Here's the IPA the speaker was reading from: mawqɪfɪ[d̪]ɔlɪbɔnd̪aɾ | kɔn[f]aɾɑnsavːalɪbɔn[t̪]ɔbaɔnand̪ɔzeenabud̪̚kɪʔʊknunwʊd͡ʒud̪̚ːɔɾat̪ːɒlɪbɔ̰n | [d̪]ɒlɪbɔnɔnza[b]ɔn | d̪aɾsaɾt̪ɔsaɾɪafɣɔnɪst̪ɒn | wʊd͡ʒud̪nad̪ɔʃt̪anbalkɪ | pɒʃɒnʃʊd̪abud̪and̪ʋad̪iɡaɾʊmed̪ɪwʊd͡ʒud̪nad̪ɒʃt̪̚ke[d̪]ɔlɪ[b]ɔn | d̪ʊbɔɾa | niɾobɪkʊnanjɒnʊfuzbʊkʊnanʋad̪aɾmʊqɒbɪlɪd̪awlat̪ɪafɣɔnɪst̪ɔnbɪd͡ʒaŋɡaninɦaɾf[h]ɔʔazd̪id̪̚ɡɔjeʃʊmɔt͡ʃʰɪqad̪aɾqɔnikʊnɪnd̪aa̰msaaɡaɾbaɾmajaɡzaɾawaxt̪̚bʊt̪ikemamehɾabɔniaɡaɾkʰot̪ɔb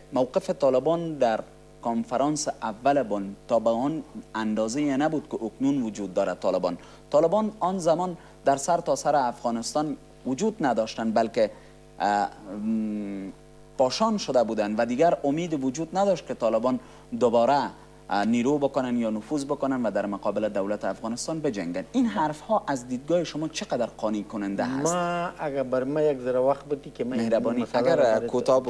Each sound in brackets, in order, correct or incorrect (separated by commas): incorrect, correct, correct, incorrect, incorrect, incorrect, correct, correct